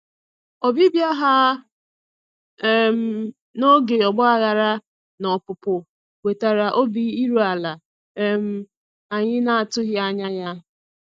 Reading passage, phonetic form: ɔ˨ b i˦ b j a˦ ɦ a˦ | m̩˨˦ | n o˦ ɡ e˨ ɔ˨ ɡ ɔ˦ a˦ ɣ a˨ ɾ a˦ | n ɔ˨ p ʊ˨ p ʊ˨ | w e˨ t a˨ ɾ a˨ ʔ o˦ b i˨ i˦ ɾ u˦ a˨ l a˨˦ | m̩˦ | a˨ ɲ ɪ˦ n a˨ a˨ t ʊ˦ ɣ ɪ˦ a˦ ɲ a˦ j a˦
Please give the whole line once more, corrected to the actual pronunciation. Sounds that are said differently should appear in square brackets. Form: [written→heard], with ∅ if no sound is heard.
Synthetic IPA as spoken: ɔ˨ b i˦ b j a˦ ɦ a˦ | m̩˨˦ | n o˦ ɡ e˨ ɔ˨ [ɡ→ɡ͡b] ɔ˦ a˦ ɣ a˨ ɾ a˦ | n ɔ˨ p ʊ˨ p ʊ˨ | w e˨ t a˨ ɾ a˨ ʔ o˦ b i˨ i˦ ɾ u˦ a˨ l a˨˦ | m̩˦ | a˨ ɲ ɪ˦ n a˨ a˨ t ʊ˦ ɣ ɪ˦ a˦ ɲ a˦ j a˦

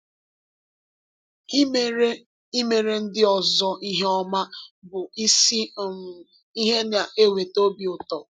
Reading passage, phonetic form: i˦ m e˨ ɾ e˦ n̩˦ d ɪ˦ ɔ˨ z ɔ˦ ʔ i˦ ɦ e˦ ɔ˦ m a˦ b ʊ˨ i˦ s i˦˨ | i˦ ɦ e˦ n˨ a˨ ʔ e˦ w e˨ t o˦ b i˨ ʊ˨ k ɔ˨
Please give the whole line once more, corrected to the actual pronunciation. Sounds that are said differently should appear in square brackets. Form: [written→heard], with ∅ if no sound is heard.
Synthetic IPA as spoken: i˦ m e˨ ɾ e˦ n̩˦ d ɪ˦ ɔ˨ z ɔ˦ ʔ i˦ ɦ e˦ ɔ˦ m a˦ b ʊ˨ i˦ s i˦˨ | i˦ ɦ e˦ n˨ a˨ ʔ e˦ w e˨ t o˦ b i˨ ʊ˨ [k→t] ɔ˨

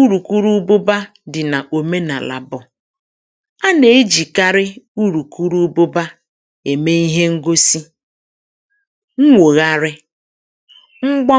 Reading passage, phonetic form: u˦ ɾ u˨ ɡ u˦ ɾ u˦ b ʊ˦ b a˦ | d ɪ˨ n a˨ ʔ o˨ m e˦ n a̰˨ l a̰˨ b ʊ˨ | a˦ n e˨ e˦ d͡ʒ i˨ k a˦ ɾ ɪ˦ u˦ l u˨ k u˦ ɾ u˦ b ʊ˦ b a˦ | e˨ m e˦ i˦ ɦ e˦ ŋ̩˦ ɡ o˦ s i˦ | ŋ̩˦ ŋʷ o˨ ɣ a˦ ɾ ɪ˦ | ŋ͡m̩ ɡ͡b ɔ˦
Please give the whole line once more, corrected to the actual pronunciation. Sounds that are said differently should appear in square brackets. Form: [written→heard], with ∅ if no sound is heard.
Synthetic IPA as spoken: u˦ ɾ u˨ [ɡ→k] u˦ ɾ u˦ b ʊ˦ b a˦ | d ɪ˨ n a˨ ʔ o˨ m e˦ n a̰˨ l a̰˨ b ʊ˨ | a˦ n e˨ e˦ d͡ʒ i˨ k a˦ ɾ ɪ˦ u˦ [l→ɾ] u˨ k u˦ ɾ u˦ b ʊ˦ b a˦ | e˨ m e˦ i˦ ɦ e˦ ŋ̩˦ ɡ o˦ s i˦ | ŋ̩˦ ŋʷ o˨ ɣ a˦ ɾ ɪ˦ | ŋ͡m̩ ɡ͡b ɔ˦

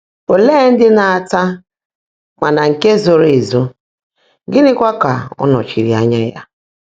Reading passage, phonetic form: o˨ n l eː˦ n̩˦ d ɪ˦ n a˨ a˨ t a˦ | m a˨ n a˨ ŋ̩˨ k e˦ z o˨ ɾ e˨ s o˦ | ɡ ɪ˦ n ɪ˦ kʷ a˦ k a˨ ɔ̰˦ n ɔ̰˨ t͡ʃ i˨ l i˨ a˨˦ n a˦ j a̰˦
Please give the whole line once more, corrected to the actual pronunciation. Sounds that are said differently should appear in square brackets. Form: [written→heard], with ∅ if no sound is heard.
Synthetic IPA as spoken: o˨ [n→∅] l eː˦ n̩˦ d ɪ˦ n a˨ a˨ t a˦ | m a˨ n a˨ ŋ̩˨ k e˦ z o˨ ɾ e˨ [s→z] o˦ | ɡ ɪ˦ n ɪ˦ kʷ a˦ k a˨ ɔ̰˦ n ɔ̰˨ t͡ʃ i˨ [l→ɾ] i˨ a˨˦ [n→ɲ] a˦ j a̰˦

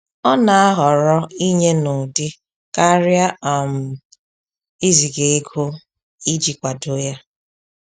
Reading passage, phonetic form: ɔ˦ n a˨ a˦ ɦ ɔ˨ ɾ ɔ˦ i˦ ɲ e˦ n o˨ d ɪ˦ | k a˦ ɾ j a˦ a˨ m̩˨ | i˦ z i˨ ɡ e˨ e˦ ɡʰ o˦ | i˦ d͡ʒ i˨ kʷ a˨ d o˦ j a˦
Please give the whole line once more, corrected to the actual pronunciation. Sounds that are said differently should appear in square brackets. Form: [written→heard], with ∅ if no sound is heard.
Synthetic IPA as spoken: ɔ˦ n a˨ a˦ ɦ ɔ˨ ɾ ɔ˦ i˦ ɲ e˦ n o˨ d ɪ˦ | k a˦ ɾ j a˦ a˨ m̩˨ | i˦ z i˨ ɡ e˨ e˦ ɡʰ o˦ | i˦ d͡ʒ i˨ kʷ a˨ d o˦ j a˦

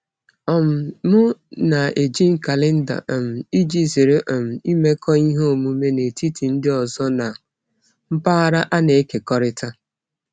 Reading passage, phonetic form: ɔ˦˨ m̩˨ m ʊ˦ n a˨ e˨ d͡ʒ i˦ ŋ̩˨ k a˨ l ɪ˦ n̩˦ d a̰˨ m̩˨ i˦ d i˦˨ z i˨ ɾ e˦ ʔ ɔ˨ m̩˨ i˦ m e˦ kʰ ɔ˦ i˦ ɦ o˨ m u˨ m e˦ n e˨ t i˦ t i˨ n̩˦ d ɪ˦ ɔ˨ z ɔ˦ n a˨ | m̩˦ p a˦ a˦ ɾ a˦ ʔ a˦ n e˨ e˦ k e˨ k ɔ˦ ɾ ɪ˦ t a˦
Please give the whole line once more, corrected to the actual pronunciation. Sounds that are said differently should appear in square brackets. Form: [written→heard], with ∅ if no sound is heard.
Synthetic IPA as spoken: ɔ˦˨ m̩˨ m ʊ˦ n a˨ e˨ d͡ʒ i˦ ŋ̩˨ k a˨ l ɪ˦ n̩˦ d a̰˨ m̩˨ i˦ [d→d͡ʒ] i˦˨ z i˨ ɾ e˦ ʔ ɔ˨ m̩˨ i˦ m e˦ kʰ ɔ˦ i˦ ɦ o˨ m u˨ m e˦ n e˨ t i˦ t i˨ n̩˦ d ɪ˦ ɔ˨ z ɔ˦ n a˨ | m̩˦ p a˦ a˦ ɾ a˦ ʔ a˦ n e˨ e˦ k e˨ k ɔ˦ ɾ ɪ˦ t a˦

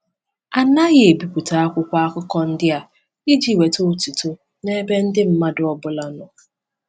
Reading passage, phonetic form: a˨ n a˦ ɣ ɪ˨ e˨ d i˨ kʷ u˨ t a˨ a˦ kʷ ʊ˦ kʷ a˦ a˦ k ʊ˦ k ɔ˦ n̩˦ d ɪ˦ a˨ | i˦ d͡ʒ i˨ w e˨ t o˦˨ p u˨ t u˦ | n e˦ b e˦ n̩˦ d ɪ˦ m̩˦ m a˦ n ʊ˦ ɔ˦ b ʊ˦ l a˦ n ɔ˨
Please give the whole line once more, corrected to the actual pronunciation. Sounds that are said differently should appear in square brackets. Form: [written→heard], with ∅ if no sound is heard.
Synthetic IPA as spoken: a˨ n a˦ ɣ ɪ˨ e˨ [d→b] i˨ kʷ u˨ t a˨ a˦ kʷ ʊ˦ kʷ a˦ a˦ k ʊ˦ k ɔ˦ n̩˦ d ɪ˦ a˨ | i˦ d͡ʒ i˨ w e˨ t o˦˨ [p→t] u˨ t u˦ | n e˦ b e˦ n̩˦ d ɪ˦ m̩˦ m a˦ [n→d] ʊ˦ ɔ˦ b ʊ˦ l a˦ n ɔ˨

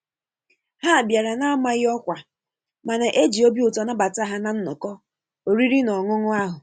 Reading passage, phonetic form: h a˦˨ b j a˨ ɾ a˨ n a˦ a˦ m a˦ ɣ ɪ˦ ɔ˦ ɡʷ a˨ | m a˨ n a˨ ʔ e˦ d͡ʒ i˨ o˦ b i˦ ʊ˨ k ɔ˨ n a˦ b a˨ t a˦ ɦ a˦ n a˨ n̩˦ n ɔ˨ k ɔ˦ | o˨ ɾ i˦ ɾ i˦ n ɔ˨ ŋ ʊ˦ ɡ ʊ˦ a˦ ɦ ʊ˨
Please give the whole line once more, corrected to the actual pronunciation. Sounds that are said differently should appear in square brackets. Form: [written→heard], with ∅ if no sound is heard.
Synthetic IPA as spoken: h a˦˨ b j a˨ ɾ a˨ n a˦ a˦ m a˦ ɣ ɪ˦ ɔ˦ [ɡʷ→kʷ] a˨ | m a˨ n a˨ ʔ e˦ d͡ʒ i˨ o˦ b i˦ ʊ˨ [k→t] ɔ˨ n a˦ b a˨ t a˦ ɦ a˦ n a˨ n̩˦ n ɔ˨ k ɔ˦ | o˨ ɾ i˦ ɾ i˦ n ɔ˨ ŋ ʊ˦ [ɡ→ŋ] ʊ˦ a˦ ɦ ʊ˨

